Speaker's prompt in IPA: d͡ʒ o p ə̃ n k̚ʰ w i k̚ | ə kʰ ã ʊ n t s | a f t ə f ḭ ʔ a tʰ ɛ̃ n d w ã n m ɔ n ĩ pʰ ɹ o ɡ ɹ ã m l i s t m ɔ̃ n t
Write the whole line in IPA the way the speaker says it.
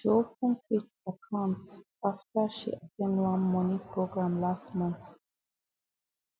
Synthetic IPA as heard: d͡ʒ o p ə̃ n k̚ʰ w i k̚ | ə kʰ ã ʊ n t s | a f t ə ʃ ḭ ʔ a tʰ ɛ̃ n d w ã n m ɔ n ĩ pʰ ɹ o ɡ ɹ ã m l a s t m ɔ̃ n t